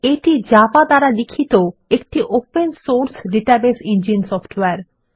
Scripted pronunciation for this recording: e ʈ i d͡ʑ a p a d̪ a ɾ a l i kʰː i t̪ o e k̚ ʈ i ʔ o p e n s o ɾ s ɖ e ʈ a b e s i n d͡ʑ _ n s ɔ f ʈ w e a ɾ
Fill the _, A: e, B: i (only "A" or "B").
B